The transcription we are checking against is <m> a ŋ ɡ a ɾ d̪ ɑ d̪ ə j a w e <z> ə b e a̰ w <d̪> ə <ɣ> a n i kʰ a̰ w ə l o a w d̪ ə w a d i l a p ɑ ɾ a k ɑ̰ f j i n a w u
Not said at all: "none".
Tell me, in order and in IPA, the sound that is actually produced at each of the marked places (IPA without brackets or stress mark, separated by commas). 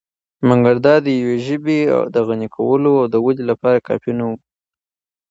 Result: m, ʒ, d̪, ɣ